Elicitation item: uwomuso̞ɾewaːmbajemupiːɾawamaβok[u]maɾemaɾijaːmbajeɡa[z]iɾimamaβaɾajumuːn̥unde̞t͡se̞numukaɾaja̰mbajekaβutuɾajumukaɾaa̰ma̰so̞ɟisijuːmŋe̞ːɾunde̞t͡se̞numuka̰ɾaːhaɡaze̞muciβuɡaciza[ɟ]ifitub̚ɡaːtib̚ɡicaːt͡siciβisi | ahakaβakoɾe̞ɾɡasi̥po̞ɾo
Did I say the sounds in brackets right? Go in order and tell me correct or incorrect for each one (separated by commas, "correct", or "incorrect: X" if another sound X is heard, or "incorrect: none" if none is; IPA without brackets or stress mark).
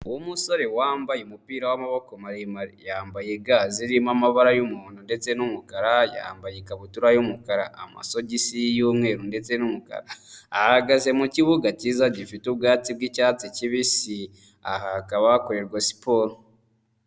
incorrect: o, correct, correct